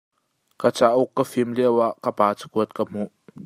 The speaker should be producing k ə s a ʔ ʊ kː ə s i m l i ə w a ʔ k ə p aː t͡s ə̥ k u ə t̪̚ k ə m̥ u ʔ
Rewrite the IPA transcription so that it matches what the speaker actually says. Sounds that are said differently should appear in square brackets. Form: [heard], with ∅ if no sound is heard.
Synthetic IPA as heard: k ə [t͡s] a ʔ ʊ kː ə [f] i m l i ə w a ʔ k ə p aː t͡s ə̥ k u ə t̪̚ k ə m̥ u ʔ